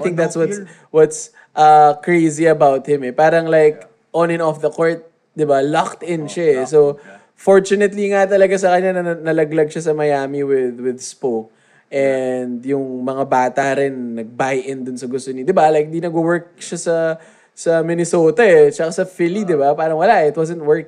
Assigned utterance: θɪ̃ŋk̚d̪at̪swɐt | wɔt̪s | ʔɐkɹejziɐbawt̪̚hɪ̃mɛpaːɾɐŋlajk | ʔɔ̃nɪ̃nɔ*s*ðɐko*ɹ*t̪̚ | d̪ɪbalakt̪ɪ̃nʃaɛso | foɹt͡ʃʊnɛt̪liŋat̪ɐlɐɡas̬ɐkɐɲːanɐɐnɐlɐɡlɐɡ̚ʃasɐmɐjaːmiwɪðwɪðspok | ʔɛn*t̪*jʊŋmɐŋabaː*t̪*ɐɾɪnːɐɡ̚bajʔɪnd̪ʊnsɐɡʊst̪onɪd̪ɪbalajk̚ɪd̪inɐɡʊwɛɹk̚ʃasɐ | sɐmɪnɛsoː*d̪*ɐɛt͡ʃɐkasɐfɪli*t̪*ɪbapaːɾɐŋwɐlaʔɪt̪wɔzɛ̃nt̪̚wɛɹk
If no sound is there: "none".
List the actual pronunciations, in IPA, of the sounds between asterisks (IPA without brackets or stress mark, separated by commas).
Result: f, ɹ, d̪, t̪, t̪, d̪